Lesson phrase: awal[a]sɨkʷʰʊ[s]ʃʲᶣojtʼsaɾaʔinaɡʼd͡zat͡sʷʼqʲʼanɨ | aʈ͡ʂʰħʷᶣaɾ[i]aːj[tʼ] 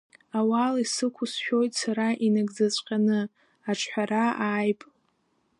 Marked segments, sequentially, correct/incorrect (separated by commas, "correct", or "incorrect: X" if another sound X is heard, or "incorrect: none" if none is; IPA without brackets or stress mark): incorrect: i, correct, incorrect: a, incorrect: pʼ